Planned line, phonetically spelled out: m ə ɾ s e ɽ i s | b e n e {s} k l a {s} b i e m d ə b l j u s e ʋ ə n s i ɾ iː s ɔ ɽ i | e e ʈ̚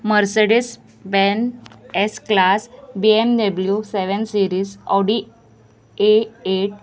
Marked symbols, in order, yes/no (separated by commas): yes, yes